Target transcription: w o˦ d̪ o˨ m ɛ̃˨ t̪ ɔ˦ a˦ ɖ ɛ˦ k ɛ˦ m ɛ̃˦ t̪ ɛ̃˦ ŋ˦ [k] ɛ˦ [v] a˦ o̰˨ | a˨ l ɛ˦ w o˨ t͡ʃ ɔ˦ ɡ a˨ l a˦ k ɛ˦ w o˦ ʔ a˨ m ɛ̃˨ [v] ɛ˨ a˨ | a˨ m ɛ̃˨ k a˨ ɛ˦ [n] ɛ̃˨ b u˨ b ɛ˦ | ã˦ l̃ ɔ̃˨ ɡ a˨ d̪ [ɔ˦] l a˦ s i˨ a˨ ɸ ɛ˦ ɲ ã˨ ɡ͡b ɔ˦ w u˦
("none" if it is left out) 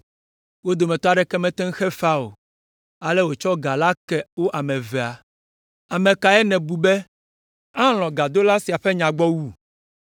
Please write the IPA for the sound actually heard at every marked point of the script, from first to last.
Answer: x, f, v, n, o˦

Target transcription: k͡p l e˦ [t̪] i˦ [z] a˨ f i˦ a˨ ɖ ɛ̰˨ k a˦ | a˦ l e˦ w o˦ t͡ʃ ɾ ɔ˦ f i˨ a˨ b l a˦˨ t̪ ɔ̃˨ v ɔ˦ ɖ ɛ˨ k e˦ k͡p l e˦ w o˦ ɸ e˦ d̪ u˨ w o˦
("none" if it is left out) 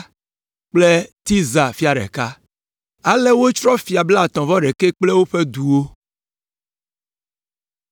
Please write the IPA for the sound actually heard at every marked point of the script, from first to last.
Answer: t̪, z

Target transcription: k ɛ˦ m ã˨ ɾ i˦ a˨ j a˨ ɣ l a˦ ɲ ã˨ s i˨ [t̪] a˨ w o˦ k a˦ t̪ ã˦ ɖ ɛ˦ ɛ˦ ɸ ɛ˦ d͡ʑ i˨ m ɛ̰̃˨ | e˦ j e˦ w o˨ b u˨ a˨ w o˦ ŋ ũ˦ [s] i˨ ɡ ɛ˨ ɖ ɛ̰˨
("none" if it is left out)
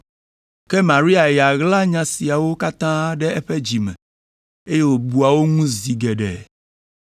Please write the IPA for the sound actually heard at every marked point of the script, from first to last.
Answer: none, z

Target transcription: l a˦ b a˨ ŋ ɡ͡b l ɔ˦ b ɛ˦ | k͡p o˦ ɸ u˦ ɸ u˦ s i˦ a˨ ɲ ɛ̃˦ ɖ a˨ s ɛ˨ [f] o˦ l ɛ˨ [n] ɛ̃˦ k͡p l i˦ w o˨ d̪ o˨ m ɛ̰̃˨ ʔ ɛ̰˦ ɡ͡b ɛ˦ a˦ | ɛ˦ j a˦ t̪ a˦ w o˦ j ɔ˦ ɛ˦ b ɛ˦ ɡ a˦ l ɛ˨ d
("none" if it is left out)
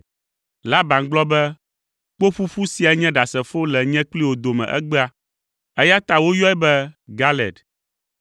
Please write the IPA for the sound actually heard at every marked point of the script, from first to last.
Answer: f, ɲ

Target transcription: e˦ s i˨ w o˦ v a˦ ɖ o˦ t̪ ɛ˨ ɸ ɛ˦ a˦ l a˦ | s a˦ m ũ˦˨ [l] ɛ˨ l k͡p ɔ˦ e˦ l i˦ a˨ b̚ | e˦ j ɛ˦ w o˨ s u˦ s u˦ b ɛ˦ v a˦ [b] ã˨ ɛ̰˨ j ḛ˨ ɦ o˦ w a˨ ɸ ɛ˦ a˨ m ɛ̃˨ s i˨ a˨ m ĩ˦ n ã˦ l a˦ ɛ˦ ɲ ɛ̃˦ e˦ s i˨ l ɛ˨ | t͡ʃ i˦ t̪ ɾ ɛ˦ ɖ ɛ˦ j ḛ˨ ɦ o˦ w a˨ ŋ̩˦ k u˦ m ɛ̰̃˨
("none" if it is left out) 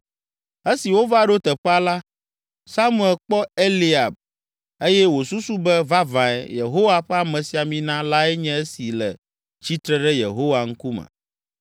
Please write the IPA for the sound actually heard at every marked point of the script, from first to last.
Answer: none, v

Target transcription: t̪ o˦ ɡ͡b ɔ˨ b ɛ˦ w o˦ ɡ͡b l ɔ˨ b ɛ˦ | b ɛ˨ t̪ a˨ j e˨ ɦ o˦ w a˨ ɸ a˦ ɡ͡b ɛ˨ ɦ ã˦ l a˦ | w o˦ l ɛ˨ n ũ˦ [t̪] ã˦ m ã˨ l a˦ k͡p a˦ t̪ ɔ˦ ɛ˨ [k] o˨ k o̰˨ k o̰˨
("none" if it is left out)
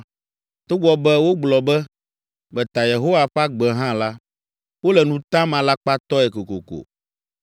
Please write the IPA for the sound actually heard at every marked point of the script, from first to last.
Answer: t̪, k

